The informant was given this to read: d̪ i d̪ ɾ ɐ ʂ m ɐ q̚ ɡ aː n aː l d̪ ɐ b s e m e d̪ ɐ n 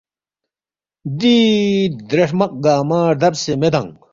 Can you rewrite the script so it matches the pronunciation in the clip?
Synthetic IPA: d̪ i d̪ ɾ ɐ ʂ m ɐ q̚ ɡ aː m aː ɾ d̪ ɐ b s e m e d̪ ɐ ŋ